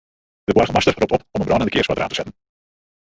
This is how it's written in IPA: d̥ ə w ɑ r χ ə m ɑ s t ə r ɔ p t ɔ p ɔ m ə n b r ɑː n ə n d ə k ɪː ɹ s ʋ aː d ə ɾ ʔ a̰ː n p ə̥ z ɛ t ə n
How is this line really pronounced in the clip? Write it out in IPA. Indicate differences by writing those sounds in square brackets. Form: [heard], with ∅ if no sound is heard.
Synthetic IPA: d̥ ə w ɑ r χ ə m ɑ s t ə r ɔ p t ɔ p ɔ m ə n b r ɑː n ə n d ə k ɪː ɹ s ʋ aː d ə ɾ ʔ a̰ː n [t] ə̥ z ɛ t ə n